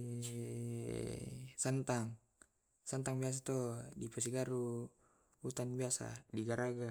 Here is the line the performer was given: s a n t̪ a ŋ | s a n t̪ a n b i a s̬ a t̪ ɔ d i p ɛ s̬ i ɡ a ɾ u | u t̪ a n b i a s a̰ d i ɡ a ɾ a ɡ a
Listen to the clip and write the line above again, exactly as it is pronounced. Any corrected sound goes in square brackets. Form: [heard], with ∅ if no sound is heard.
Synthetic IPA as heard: s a n t̪ a ŋ | s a n t̪ a [ŋ] b i a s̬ a t̪ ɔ d i p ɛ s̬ i ɡ a ɾ u | u t̪ a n b i a s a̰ d i ɡ a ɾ a ɡ a

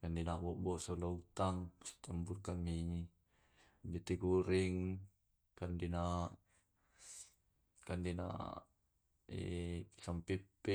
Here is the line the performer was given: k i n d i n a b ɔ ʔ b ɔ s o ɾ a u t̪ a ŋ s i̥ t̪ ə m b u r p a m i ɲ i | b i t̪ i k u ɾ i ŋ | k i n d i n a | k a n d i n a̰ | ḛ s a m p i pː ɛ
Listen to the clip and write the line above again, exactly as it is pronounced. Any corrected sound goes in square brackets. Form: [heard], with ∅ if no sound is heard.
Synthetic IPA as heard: k [a] n d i n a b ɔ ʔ b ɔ s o [l] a u t̪ a ŋ s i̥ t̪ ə m b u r [k] a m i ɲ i | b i t̪ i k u ɾ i ŋ | k [a] n d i n a | k a n d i n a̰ | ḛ s a m p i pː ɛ

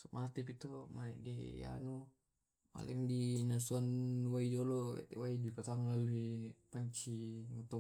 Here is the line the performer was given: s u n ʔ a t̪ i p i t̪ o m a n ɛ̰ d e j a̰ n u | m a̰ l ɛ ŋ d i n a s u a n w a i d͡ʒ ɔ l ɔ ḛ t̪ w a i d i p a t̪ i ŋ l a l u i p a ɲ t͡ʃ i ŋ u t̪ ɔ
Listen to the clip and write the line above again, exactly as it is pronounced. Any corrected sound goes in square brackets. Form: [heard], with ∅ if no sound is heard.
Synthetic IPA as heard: s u [m] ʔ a t̪ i p i t̪ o m a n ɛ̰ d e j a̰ n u | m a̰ l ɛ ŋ d i n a s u a n w a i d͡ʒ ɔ l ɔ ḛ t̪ w a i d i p a t̪ [a] ŋ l a l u i p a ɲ t͡ʃ i ŋ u t̪ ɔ

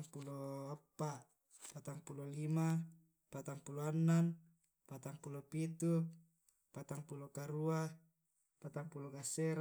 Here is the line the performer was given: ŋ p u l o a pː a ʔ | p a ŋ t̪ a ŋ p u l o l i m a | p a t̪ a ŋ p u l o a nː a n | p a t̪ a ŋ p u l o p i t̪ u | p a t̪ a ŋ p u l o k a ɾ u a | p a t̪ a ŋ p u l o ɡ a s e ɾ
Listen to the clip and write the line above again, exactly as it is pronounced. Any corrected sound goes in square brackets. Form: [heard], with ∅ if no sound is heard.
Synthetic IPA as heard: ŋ p u l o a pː a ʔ | p a [∅] t̪ a ŋ p u l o l i m a | p a t̪ a ŋ p u l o a nː a n | p a t̪ a ŋ p u l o p i t̪ u | p a t̪ a ŋ p u l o k a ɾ u a | p a t̪ a ŋ p u l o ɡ a s e ɾ

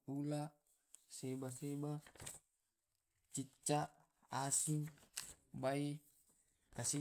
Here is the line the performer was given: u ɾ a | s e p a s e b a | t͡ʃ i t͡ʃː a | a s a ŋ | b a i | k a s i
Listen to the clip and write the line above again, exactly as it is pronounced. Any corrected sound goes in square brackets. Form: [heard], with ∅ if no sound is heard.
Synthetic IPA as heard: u [l] a | s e [b] a s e b a | t͡ʃ i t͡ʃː a | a s [i] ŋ | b a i | k a s i

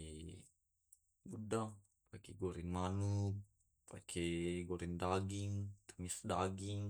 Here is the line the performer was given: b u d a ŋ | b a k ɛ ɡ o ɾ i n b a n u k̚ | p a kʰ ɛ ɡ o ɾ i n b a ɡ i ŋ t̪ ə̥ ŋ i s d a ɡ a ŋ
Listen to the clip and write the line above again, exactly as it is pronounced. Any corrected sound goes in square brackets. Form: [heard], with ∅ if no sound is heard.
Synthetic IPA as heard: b u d a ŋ | [p] a k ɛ ɡ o ɾ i n [m] a n u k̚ | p a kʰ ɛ ɡ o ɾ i n [d] a ɡ i ŋ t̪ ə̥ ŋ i s d a ɡ [i] ŋ

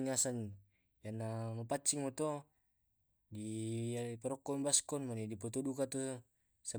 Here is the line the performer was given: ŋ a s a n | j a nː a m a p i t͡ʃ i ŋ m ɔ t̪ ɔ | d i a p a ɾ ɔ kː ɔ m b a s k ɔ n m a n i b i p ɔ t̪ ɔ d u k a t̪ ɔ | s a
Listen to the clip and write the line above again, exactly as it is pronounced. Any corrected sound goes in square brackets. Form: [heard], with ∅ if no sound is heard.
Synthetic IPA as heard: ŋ a s a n | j a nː a m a p [a] t͡ʃ i ŋ m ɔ t̪ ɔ | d i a p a ɾ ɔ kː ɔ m b a s k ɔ n m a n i [d] i p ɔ t̪ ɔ d u k a t̪ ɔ | s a

